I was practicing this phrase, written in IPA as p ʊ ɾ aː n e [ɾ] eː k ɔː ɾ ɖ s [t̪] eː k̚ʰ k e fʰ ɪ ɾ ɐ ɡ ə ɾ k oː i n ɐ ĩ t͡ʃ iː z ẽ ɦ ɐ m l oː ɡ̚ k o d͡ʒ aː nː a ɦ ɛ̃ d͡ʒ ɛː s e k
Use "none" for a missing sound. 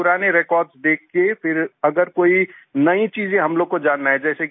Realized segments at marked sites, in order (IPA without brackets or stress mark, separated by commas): ɾ, d̪